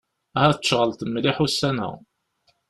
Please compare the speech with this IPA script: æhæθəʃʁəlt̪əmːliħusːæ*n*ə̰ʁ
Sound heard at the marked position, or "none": n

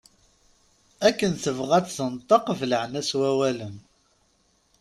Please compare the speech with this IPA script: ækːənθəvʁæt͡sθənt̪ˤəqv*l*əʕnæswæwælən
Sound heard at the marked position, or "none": l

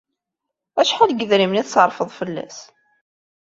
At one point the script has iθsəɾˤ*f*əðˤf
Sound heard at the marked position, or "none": f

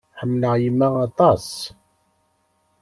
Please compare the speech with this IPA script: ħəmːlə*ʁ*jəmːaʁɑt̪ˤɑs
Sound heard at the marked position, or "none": ʁ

